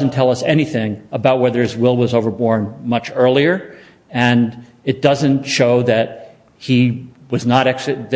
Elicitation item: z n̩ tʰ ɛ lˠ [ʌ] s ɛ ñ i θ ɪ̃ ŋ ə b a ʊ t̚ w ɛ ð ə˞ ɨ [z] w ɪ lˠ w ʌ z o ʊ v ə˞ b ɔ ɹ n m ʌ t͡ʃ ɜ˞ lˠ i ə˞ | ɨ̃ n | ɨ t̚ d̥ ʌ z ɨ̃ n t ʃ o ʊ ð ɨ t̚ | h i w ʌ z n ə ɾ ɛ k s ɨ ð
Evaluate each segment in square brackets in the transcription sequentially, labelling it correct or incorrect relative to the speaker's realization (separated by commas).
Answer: correct, correct